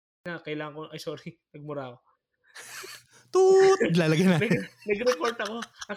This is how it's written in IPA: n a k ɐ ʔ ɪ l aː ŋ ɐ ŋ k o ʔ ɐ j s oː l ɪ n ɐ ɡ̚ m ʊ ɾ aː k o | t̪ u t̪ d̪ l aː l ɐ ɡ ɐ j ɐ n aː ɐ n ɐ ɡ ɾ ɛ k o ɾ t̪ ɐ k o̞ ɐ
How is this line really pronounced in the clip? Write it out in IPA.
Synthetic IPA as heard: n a k ɐ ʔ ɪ l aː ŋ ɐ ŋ k o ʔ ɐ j s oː ɾ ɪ n ɐ ɡ̚ m ʊ ɾ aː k o | t̪ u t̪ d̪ l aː l ɐ ɡ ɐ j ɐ n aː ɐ n ɐ ɡ ɾ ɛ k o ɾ t̪ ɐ k o̞ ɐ